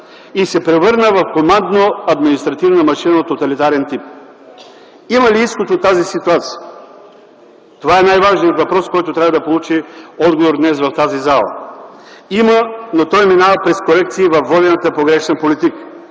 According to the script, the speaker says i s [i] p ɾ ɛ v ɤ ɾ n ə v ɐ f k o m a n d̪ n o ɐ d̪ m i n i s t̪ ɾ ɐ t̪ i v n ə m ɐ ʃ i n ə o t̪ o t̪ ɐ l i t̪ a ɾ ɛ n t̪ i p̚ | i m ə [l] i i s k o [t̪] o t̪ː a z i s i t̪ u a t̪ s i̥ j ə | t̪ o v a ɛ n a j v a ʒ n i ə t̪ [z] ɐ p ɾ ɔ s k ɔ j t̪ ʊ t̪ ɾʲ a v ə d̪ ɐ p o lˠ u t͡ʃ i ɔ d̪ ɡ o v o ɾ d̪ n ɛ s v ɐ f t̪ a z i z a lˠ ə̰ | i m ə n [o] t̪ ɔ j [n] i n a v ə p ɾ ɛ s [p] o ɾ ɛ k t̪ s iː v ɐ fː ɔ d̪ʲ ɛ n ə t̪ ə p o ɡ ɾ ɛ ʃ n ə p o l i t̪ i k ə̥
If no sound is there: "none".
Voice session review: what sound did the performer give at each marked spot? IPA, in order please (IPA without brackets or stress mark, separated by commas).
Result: ɛ, l, t̪, v, o, m, k